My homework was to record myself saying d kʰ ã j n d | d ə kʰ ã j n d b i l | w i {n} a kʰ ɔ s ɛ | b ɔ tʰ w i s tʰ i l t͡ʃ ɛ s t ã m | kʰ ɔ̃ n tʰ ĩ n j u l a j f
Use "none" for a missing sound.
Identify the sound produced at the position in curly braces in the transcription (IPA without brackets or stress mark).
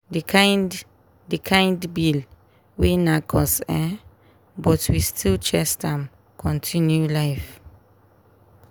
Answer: n